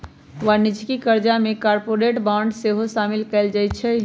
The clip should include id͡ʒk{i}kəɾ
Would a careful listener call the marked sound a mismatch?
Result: no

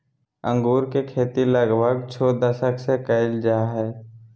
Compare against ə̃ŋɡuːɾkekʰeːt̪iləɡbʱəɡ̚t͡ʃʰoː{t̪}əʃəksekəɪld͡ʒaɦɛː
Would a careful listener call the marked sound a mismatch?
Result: yes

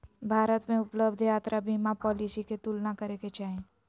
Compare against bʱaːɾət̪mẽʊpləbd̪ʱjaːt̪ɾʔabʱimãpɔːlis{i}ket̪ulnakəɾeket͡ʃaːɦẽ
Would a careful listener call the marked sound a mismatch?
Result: no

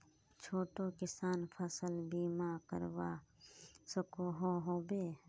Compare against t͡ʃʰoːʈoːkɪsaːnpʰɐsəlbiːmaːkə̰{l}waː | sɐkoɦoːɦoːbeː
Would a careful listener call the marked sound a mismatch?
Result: yes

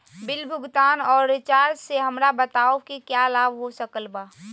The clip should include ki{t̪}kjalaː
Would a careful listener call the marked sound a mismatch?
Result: yes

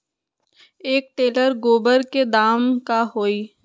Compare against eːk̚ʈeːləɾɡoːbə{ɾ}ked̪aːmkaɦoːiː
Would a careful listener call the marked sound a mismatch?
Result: no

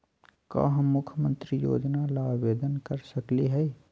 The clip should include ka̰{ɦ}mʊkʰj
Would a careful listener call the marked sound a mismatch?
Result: no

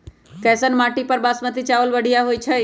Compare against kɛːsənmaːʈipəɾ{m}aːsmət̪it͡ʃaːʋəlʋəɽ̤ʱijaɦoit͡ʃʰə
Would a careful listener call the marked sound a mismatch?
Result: yes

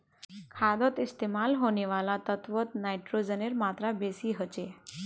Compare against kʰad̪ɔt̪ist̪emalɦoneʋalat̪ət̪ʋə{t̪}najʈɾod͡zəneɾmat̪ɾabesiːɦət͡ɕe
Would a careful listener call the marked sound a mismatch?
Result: no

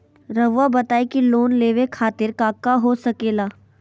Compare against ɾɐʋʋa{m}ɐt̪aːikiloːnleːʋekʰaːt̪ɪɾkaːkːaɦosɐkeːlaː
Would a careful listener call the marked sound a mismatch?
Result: yes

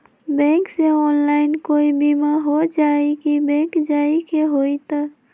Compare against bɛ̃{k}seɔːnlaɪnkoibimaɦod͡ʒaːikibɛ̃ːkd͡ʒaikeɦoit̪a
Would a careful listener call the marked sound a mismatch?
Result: no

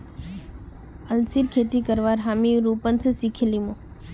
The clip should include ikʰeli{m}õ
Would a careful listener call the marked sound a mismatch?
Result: no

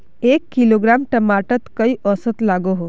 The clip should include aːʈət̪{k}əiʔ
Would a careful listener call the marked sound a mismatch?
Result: no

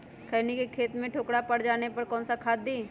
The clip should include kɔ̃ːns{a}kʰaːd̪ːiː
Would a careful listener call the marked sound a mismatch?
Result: no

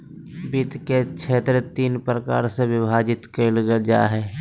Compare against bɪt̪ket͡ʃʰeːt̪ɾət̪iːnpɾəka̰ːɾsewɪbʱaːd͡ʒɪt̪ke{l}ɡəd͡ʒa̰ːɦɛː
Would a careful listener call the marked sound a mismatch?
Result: no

